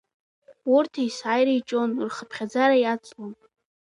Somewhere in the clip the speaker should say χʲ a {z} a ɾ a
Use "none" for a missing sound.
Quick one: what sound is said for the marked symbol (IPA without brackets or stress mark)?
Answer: d͡z